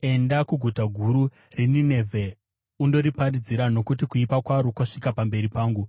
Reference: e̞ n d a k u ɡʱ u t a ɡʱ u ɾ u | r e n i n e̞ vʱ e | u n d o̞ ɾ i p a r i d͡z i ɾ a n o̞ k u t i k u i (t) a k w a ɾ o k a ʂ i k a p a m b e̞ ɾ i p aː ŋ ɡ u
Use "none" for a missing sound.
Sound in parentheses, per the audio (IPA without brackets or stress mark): p